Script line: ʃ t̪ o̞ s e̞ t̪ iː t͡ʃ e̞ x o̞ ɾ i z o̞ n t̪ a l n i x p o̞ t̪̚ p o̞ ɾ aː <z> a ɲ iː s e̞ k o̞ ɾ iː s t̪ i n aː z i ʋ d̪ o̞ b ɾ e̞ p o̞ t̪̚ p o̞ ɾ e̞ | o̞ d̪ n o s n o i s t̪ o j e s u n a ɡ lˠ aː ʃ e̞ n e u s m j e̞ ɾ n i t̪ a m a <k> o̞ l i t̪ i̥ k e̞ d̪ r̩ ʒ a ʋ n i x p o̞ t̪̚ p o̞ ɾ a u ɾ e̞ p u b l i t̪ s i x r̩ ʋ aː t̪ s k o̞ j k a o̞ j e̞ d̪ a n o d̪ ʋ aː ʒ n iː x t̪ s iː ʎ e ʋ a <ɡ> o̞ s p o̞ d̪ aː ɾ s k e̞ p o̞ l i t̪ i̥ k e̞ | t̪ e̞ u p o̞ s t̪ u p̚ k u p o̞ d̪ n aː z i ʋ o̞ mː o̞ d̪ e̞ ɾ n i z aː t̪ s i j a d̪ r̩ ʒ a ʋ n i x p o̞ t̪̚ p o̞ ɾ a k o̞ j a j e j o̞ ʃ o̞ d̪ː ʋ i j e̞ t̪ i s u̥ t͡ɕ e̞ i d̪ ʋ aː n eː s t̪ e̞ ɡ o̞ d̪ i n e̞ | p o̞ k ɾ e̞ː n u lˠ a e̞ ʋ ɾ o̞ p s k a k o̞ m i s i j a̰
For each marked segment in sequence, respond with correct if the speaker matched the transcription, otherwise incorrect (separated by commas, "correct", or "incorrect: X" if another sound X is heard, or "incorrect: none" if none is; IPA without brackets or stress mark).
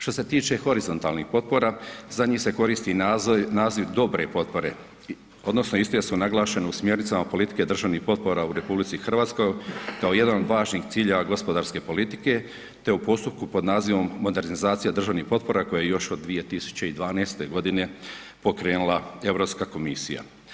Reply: correct, incorrect: p, correct